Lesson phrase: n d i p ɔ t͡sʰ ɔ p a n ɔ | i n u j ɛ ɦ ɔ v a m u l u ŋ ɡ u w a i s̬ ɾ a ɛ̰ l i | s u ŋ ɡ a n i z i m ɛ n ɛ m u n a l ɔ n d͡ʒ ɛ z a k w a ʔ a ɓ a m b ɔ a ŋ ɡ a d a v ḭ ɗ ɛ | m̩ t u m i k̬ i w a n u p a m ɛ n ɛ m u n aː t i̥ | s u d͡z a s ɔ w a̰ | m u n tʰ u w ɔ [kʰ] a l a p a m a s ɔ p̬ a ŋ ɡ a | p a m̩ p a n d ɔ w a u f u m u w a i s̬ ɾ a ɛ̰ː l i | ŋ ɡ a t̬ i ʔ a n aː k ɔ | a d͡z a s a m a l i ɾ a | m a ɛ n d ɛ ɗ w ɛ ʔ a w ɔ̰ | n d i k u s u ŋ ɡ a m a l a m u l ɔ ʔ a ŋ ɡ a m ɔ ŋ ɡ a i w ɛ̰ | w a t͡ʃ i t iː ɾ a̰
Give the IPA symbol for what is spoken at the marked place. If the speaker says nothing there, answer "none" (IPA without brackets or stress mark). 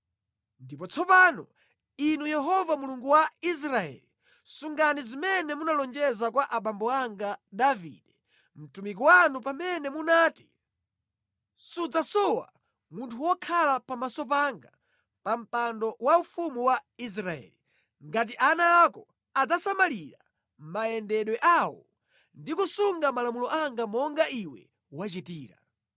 kʰ